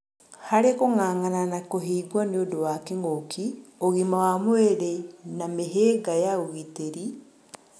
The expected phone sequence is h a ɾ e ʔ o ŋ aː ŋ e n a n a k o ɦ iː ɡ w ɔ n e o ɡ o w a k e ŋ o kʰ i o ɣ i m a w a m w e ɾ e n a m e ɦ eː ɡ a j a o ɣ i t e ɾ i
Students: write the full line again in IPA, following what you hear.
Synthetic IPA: h a ɾ e k o ŋ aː ŋ a n a n a k o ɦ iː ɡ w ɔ n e o d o w a k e ŋ o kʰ i o ɣ i m a w a m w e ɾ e n a m e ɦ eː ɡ a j a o ɣ i t e ɾ i